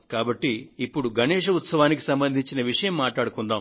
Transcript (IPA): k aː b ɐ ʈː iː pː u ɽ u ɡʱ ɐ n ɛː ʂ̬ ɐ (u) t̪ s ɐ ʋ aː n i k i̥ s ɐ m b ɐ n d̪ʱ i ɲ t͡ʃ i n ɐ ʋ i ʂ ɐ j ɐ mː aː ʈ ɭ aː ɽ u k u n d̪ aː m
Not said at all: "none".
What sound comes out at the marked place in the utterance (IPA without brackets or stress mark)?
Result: u